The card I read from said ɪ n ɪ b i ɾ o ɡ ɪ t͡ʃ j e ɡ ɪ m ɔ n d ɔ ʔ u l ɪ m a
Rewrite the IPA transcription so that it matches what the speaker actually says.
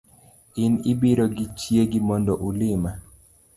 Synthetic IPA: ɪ n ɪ b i ɾ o ɡ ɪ t͡ʃ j e ɡ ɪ m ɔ n d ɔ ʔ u l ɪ m a